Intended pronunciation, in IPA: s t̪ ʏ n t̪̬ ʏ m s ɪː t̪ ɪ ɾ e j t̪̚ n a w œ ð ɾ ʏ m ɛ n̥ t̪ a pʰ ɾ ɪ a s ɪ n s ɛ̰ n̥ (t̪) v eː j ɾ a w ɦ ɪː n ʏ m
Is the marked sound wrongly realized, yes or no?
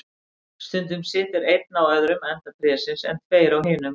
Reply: yes